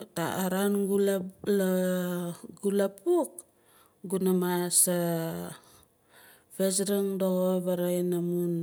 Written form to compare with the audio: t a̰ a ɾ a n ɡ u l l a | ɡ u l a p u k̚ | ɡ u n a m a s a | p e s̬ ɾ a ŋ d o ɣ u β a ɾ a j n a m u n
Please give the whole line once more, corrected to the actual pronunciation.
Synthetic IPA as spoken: t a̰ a ɾ a n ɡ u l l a | ɡ u l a p u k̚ | ɡ u n a m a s a | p e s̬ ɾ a ŋ d o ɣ o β a ɾ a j n a m u n

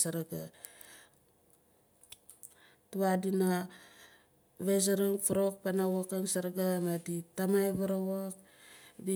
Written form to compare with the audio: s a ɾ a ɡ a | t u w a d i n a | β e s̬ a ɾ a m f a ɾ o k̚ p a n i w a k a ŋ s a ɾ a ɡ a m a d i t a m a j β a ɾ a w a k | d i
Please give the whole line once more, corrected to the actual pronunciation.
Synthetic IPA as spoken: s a ɾ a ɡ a | t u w a d i n a | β e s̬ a ɾ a ŋ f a ɾ o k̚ p a n a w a k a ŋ s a ɾ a ɡ a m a d i t a m a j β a ɾ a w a k | d i

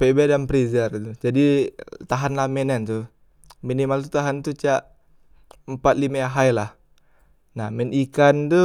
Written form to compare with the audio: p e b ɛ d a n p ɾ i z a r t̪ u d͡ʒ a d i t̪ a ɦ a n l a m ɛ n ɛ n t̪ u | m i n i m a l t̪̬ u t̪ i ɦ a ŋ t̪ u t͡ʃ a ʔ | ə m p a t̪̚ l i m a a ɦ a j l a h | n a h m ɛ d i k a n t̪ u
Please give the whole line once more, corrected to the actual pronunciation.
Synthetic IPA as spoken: p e b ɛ d a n p ɾ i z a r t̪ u d͡ʒ a d i t̪ a ɦ a n l a m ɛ n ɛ n t̪ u | m i n i m a l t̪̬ u t̪ a ɦ a n t̪ u t͡ʃ a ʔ | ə m p a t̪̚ l i m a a ɦ a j l a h | n a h m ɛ n i k a n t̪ u

